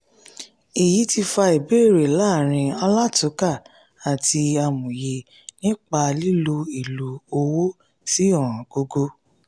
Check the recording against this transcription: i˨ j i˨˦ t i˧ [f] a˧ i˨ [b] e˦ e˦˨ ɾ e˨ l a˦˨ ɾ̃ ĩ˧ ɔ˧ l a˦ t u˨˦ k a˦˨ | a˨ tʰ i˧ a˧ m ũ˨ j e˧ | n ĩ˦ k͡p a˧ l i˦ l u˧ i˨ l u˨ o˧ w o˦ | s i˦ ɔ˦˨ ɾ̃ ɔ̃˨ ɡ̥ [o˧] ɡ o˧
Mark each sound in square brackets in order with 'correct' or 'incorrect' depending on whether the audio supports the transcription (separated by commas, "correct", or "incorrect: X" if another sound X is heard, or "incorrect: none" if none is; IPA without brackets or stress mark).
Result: correct, correct, correct